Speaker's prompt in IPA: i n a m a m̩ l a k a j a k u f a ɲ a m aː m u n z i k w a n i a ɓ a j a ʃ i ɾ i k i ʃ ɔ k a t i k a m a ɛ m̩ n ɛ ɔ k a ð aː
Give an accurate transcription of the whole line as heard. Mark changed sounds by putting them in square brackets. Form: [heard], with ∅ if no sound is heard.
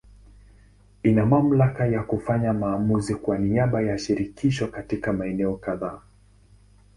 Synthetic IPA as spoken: i n a m a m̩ l a k a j a k u f a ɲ a m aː m u [∅] z i k w a n i a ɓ a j a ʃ i ɾ i k i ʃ ɔ k a t i k a m a ɛ [∅] n ɛ ɔ k a ð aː

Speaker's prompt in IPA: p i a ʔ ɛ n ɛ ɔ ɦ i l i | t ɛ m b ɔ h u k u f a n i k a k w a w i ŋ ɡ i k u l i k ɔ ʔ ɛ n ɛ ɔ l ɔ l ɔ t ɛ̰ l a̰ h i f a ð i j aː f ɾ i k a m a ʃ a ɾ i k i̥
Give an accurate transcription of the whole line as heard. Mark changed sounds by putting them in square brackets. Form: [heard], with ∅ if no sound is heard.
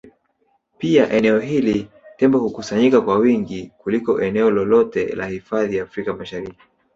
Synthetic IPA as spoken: p i a ʔ ɛ n ɛ ɔ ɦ i l i | t ɛ m b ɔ h u k u [s] a [ɲ] i k a k w a w i ŋ ɡ i k u l i k ɔ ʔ ɛ n ɛ ɔ l ɔ l ɔ t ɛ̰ l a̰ h i f a ð i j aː f ɾ i k a m a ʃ a ɾ i k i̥

